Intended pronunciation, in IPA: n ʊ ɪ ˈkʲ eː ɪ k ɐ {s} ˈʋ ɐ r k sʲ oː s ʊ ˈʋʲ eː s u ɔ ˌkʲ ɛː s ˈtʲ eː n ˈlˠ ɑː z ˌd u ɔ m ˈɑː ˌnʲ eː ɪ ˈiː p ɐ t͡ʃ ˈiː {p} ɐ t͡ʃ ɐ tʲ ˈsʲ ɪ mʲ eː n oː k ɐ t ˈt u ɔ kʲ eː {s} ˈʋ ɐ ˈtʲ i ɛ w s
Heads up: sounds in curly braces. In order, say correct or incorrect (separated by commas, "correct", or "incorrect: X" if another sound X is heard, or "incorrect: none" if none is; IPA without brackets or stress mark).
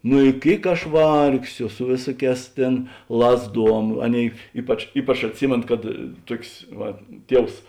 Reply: incorrect: ʃ, correct, correct